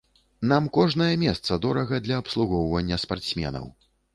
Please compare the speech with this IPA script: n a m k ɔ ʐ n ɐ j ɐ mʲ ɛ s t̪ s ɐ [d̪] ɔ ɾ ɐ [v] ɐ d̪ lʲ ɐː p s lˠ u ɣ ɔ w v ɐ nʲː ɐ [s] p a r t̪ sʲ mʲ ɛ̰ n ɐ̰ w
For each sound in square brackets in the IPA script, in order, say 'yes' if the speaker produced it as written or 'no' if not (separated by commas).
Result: yes, no, yes